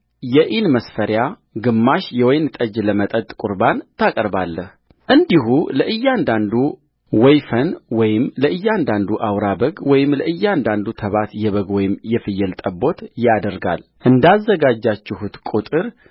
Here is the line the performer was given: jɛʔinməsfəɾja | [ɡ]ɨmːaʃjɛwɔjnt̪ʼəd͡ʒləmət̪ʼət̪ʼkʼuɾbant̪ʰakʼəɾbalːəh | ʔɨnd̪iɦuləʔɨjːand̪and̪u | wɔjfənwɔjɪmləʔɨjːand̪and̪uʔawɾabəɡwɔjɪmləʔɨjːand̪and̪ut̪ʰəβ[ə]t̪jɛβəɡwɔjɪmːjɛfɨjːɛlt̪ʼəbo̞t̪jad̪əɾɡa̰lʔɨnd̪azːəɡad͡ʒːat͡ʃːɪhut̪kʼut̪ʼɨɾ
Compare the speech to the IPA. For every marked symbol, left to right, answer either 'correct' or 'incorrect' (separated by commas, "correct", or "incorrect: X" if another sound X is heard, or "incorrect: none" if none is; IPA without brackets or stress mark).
correct, incorrect: a